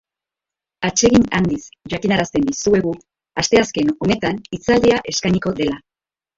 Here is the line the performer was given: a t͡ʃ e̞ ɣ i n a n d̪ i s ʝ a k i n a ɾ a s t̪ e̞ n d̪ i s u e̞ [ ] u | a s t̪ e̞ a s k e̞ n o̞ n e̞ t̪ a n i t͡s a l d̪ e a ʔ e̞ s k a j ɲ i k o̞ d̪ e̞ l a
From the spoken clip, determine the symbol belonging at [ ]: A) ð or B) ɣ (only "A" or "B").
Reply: B